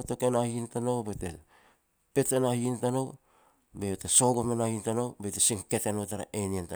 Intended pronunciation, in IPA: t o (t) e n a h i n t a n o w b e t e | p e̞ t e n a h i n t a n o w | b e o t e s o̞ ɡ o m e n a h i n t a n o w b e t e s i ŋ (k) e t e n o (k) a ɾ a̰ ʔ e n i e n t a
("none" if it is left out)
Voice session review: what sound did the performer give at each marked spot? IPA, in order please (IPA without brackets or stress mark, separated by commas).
k, k, t